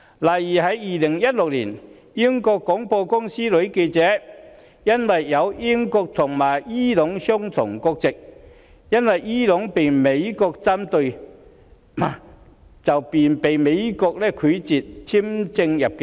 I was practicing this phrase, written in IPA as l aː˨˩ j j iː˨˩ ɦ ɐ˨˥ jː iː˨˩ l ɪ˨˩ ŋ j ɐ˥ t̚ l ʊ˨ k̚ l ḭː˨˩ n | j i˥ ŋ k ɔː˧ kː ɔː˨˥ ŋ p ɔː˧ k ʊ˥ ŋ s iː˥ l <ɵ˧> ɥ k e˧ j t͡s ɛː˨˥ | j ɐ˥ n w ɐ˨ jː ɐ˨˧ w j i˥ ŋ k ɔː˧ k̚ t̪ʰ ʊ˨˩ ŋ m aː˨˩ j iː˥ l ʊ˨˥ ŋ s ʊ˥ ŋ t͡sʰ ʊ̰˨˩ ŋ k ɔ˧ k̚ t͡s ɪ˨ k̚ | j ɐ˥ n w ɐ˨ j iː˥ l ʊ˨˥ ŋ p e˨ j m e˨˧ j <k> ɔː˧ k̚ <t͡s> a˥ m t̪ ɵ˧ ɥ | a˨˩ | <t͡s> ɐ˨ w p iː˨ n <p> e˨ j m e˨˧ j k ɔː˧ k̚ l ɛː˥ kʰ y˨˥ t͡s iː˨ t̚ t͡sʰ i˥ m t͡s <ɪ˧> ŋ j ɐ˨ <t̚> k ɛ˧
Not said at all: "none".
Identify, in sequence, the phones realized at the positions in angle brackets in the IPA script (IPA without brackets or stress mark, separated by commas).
ɵ˨˥, k, t͡s, t͡s, p, ɪ˧, p̚